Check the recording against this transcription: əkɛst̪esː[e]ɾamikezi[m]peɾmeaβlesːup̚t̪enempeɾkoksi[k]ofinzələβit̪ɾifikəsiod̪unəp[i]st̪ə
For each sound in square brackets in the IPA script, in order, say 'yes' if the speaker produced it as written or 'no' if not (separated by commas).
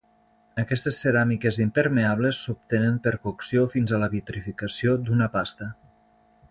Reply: yes, yes, no, no